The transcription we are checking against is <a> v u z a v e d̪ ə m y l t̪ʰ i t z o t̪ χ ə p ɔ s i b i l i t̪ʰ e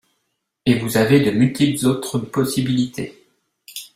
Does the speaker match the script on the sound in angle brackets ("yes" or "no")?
no